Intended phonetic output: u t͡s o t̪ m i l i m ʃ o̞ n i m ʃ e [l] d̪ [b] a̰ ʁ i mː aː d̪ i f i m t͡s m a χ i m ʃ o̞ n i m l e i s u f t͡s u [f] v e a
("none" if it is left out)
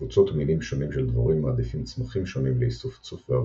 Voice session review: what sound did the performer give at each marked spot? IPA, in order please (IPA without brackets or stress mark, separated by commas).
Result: l, v, f